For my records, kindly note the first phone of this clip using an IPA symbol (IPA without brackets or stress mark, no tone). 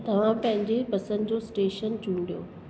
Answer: t̪